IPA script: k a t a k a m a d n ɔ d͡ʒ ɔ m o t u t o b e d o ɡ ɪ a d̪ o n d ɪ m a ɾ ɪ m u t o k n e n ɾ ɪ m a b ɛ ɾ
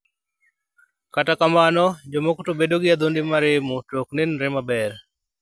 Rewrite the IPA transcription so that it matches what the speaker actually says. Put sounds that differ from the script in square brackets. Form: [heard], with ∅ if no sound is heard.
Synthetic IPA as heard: k a t a k a m a [∅] n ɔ d͡ʒ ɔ m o [k] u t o b e d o ɡ ɪ a d̪ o n d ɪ m a ɾ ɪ m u t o k n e n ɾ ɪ m a b ɛ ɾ